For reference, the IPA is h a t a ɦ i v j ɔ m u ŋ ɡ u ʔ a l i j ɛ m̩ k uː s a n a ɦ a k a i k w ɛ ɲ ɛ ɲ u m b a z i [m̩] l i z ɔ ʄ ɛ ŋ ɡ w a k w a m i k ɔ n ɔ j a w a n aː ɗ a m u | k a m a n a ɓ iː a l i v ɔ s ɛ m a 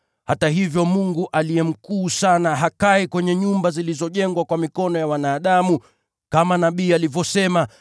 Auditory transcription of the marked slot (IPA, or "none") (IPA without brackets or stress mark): none